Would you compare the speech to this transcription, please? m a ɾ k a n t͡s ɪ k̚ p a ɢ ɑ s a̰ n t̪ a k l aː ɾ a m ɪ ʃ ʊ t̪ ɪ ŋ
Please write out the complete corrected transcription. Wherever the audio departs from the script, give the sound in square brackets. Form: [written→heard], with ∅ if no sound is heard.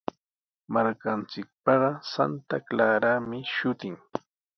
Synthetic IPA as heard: m a ɾ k a n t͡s ɪ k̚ p [a→ɑ] ɢ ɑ s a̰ n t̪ a k l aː ɾ a m ɪ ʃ ʊ t̪ ɪ ŋ

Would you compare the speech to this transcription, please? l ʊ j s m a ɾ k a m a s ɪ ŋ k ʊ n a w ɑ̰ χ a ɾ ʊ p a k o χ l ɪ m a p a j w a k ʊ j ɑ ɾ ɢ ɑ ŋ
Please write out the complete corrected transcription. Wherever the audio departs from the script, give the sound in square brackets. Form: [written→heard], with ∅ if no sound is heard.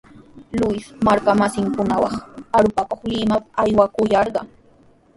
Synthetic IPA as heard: l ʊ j s m a ɾ k a m a s ɪ ŋ k ʊ n a w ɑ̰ χ a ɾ ʊ p a k o χ l ɪ m a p a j w a k ʊ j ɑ ɾ ɢ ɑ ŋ

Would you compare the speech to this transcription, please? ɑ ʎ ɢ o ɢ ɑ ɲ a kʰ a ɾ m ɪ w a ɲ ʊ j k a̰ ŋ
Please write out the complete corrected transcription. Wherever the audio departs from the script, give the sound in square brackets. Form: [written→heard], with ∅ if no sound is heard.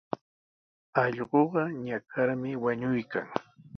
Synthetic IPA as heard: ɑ ʎ ɢ o ɢ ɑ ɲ a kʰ a ɾ m ɪ w a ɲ ʊ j k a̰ ŋ

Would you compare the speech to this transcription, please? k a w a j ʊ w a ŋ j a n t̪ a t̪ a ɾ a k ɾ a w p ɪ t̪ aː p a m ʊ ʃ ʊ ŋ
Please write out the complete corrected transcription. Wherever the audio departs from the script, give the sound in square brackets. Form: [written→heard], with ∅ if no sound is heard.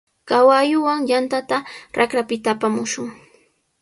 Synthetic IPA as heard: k a w a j ʊ w a ŋ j a n t̪ a t̪ a ɾ a k ɾ a [w→∅] p ɪ t̪ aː p a m ʊ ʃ ʊ ŋ

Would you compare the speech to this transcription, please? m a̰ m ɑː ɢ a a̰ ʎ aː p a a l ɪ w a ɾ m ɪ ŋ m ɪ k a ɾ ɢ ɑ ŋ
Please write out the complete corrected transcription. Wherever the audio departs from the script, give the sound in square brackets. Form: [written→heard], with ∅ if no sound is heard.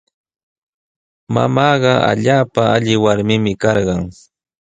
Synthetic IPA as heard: m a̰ m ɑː ɢ [a→ɑ] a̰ ʎ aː p a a [l→ʎ] ɪ w a ɾ m ɪ [ŋ→∅] m ɪ k [a→ɑ] ɾ ɢ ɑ ŋ

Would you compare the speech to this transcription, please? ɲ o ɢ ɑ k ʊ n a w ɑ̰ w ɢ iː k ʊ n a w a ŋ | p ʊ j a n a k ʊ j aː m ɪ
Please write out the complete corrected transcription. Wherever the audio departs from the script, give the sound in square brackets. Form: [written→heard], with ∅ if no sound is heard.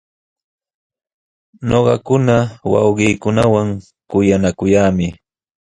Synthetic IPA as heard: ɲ o ɢ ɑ k ʊ n a w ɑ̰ w ɢ iː k ʊ n a w a ŋ | [p→k] ʊ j a n a k ʊ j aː m ɪ

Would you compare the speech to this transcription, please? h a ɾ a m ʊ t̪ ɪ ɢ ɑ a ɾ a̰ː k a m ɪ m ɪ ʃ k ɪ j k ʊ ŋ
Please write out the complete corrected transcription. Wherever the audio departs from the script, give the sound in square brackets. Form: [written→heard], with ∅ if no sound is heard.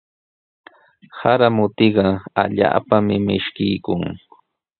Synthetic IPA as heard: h a ɾ a m ʊ t̪ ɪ ɢ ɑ a [ɾ→ʎ] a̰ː [k→p] a m ɪ m ɪ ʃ k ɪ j k ʊ ŋ

